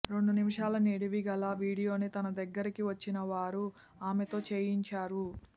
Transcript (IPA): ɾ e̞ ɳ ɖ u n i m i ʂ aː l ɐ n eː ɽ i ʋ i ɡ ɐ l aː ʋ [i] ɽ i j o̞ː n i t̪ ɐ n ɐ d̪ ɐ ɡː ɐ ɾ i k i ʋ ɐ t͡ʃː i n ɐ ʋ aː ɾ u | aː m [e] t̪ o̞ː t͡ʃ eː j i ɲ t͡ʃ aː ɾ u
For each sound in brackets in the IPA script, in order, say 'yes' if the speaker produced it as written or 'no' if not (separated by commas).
no, yes